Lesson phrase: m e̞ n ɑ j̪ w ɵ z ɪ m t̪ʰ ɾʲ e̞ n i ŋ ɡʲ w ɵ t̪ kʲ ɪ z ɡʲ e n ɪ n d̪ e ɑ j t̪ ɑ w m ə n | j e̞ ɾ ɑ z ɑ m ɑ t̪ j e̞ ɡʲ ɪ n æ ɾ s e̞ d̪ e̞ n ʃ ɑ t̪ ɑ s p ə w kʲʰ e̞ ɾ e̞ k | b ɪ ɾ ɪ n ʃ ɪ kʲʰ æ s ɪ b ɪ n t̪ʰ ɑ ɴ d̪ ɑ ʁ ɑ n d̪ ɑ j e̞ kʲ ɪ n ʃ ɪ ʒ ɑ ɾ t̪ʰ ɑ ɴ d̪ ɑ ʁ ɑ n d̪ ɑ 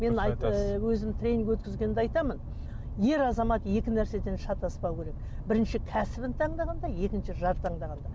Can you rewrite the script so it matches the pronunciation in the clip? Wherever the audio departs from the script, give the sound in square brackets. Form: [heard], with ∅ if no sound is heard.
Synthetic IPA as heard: m e̞ n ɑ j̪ w ɵ z ɪ m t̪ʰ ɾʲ e̞ n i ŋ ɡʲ w ɵ t̪ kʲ ɪ z ɡʲ e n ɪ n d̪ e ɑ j t̪ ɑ [∅] m ə n | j e̞ ɾ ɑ z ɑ m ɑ t̪ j e̞ [kʲ] ɪ n æ ɾ s e̞ d̪ e̞ n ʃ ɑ t̪ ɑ s p [ɑ] w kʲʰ e̞ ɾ e̞ k | b ɪ ɾ ɪ n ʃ ɪ kʲʰ æ s ɪ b ɪ n t̪ʰ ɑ ɴ d̪ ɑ ʁ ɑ n d̪ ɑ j e̞ kʲ ɪ n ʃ ɪ ʒ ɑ ɾ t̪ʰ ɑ ɴ d̪ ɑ ʁ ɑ n d̪ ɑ

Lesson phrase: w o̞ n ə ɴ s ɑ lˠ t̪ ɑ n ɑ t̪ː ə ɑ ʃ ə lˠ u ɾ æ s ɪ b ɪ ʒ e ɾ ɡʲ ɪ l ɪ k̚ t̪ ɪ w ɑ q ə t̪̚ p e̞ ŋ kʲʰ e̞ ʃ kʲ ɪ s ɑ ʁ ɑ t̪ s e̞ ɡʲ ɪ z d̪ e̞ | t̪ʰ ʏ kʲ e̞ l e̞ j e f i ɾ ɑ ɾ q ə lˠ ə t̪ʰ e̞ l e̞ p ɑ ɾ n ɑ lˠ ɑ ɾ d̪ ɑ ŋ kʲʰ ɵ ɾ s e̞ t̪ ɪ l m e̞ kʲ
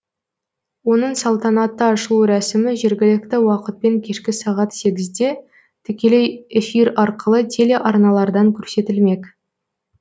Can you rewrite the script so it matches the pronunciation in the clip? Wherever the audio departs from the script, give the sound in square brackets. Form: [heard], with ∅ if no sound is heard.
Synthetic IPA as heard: w o̞ n ə ɴ s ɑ lˠ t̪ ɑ n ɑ t̪ː ə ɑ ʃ ə lˠ u ɾ æ s ɪ [m] ɪ ʒ e ɾ ɡʲ ɪ l ɪ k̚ t̪ ɪ w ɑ q ə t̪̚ p e̞ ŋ kʲʰ e̞ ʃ kʲ ɪ s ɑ ʁ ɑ t̪ s e̞ ɡʲ ɪ z d̪ e̞ | t̪ʰ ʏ kʲ e̞ l e̞ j e f i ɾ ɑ ɾ q ə lˠ ə t̪ʰ e̞ l e̞ [ʔ] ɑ ɾ n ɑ lˠ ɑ ɾ d̪ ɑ ŋ kʲʰ ɵ ɾ s e̞ t̪ ɪ l m e̞ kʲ

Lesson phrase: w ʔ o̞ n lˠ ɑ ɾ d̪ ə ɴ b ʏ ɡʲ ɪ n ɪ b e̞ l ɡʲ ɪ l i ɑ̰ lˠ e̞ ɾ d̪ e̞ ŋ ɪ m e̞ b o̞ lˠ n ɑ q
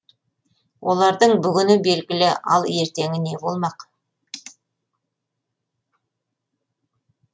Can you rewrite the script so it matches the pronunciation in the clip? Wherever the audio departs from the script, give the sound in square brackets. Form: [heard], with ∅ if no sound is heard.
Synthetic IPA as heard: w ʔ o̞ [∅] lˠ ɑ ɾ d̪ ə ɴ b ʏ ɡʲ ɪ n ɪ b e̞ l ɡʲ ɪ l [ɪ] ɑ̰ lˠ e̞ ɾ [t̪] e̞ ŋ ɪ [n] e̞ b o̞ lˠ [m] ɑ q

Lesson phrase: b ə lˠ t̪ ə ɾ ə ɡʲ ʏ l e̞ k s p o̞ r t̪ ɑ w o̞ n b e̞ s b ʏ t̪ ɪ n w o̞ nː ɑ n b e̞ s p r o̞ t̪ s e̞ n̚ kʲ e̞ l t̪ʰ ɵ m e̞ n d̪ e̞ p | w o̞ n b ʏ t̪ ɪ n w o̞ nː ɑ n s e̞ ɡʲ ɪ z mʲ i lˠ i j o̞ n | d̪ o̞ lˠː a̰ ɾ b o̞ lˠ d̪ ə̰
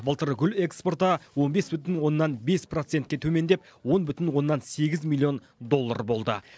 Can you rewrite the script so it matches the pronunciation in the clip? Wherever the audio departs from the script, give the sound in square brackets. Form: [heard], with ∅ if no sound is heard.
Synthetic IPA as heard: b ə lˠ t̪ ə ɾ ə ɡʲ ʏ l e̞ k s p o̞ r t̪ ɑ w o̞ n b e̞ s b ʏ t̪ ɪ n w o̞ nː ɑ n b e̞ s p r o̞ t̪ s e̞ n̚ kʲ e̞ [∅] t̪ʰ ɵ m e̞ n d̪ e̞ p | w o̞ n b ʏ t̪ ɪ n w o̞ nː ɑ n s e̞ ɡʲ ɪ z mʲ i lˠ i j o̞ n | d̪ o̞ lˠː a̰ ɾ b o̞ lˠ d̪ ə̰

